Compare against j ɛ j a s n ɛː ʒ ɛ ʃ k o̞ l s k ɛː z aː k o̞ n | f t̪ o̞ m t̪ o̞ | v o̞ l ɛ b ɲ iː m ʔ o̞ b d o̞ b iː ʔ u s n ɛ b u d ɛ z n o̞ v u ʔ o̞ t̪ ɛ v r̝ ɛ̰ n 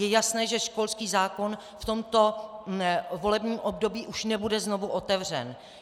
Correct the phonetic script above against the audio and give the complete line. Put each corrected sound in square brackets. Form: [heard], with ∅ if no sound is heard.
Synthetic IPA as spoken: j ɛ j a s n ɛː ʒ ɛ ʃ k o̞ l s k [iː] z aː k o̞ n | f t̪ o̞ m t̪ o̞ | v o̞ l ɛ b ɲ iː m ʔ o̞ b d o̞ b iː ʔ u [ʃ] n ɛ b u d ɛ z n o̞ v u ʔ o̞ t̪ ɛ v r̝ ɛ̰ n